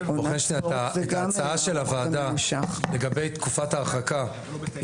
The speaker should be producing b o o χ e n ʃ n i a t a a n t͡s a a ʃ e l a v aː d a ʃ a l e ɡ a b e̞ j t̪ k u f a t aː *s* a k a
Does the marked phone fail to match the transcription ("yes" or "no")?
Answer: yes